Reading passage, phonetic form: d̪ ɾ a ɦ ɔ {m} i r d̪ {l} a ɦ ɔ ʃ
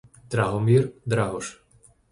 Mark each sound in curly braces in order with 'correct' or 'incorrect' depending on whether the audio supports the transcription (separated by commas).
correct, incorrect